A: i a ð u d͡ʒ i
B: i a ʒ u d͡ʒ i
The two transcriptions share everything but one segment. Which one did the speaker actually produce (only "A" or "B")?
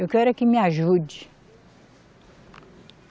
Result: B